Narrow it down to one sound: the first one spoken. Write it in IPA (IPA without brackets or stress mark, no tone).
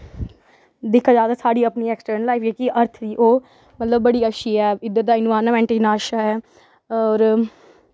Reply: d̪